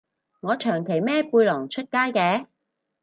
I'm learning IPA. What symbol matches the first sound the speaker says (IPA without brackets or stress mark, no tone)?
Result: ŋ